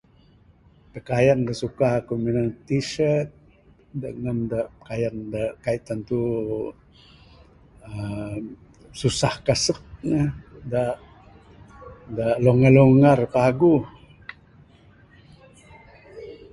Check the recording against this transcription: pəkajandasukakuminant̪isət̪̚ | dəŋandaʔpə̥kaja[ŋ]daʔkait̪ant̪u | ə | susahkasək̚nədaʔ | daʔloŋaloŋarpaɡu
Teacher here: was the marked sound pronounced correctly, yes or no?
no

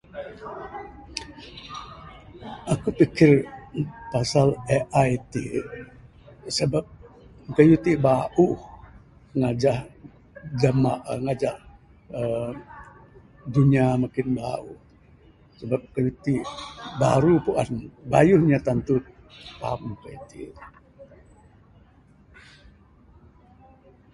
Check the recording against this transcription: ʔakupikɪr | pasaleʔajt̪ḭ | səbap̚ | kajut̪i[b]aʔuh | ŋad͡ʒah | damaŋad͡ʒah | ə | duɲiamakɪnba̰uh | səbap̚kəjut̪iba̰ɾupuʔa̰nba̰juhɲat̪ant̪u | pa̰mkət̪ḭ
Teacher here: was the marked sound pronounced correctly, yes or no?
yes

